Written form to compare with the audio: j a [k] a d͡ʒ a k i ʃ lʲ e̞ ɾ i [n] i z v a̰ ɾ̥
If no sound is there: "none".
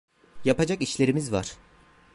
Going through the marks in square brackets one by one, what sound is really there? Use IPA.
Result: p, m

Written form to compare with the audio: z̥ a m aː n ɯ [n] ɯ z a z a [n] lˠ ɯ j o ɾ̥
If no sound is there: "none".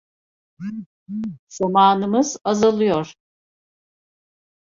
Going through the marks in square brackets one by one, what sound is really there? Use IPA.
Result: m, none

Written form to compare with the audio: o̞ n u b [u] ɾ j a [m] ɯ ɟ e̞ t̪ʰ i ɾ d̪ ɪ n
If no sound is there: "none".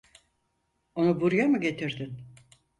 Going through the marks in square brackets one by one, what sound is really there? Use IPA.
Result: u, m

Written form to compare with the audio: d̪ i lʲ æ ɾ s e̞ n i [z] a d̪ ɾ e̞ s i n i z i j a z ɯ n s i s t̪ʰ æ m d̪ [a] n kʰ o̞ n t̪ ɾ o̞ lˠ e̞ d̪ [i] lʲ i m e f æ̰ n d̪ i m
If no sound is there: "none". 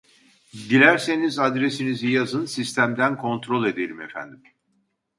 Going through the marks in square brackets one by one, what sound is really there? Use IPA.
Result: z, æ, e

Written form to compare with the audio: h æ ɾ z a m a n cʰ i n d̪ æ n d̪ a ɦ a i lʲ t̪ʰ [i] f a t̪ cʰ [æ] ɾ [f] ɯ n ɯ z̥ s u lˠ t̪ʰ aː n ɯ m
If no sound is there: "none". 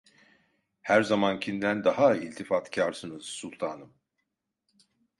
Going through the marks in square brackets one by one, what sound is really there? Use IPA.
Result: i, a, s

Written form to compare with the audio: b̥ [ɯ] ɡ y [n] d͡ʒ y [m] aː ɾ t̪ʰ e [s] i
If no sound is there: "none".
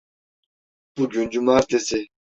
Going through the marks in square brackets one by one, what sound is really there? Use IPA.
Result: u, n, m, s

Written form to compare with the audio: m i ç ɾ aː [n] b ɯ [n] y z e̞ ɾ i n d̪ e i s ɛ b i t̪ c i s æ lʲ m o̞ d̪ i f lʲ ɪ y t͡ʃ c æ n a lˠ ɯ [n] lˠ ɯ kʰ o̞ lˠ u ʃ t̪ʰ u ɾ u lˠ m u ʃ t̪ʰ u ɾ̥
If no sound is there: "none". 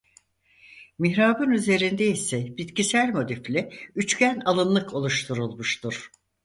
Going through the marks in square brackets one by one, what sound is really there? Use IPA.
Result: none, n, n

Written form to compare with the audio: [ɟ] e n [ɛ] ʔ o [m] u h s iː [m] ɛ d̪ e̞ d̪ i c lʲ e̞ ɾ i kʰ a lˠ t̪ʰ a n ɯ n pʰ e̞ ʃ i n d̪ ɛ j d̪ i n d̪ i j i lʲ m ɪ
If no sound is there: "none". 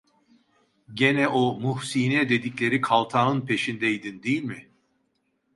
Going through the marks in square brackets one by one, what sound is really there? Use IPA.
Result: ɟ, ɛ, m, n

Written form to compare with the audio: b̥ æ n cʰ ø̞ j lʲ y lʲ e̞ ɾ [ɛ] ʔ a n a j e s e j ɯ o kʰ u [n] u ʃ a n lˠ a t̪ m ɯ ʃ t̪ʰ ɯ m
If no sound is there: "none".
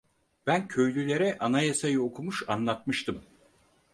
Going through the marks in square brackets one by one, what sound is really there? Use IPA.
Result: ɛ, m

